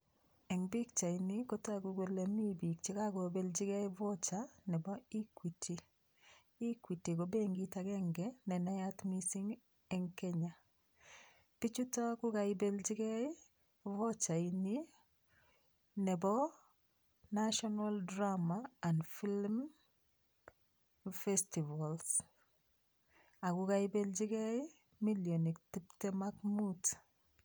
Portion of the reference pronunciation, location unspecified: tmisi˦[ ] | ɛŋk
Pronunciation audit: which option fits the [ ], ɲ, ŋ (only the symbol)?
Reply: ŋ